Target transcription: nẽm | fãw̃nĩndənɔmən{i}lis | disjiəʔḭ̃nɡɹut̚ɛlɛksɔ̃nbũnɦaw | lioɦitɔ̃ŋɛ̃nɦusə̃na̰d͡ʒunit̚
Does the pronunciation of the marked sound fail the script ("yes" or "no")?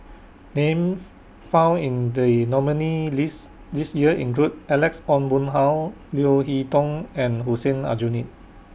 no